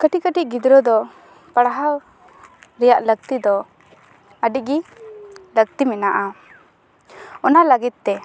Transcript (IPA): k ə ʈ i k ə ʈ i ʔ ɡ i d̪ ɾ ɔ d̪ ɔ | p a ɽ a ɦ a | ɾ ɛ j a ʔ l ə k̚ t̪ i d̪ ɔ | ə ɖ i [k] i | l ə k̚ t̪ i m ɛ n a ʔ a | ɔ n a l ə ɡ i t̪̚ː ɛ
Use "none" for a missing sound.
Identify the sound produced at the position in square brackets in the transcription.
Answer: ɡ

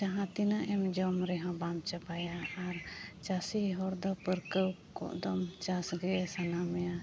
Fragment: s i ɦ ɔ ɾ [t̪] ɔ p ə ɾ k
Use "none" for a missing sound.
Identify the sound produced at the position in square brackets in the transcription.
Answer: d̪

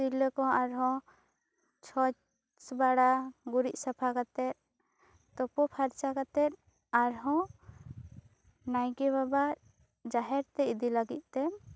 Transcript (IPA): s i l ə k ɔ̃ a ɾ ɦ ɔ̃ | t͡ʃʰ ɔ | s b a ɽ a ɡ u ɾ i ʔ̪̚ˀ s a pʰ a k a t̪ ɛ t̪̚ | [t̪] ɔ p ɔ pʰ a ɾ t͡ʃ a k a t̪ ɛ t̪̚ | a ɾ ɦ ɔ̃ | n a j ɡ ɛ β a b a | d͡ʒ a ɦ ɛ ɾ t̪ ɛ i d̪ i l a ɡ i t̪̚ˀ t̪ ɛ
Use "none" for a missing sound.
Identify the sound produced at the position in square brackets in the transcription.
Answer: t̪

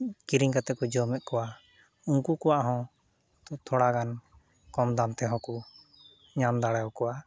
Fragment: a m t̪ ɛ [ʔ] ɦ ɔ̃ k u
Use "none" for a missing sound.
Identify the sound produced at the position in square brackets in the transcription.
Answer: none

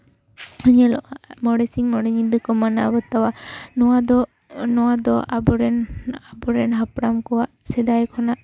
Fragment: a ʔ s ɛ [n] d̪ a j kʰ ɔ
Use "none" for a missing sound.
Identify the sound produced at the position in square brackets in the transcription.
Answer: none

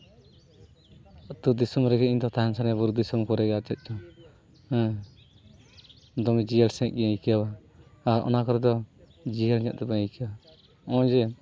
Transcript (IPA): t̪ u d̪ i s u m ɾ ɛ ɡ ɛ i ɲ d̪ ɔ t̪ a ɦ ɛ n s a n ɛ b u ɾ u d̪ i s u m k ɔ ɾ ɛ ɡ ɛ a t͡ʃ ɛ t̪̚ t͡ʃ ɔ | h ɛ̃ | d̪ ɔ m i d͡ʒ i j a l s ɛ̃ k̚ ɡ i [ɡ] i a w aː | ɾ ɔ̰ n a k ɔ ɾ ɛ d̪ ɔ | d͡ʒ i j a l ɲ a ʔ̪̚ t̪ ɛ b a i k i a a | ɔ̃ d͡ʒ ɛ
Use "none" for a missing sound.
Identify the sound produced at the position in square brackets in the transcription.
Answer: k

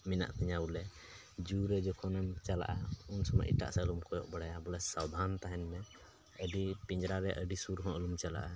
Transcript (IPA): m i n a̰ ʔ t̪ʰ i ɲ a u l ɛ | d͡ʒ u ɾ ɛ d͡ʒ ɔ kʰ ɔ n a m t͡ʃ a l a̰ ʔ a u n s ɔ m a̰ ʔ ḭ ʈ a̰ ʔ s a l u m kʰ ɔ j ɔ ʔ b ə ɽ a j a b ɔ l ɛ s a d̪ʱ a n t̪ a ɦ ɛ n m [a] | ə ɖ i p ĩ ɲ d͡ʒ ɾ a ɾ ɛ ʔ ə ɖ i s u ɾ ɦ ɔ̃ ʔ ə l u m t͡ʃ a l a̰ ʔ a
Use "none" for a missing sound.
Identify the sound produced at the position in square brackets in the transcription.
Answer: ɛ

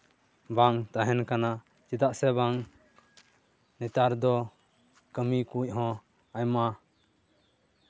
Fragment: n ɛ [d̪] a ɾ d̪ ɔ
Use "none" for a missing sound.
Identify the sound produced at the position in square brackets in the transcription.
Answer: t̪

